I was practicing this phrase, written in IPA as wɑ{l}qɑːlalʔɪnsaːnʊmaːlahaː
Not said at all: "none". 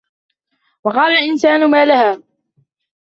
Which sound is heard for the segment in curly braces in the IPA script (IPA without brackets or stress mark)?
none